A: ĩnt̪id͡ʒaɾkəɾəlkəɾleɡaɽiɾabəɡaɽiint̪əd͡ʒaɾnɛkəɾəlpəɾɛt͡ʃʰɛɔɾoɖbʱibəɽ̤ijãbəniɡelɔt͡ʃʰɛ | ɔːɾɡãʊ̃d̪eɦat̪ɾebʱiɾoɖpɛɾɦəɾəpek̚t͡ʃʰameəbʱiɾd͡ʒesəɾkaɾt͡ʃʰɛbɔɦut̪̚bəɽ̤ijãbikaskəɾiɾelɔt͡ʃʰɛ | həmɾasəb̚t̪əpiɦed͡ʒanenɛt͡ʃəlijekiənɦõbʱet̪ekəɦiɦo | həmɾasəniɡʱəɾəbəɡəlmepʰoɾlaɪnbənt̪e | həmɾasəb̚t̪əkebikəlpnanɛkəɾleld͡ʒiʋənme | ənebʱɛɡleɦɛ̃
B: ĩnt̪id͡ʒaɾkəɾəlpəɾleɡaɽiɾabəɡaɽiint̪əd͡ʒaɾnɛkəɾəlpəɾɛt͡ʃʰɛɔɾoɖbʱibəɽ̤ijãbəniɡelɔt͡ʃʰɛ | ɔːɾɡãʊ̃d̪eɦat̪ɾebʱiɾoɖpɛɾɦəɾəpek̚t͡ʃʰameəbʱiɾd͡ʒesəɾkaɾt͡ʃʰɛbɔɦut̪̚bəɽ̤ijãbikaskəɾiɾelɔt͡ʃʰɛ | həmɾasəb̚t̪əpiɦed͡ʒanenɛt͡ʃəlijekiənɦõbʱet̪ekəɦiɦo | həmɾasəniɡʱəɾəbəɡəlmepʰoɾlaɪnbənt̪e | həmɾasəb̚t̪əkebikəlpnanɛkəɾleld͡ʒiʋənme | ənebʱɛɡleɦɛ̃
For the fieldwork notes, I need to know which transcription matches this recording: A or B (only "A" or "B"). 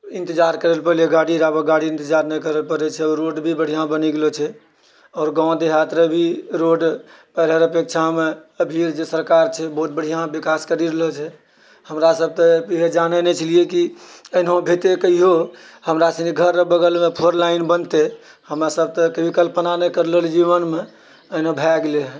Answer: B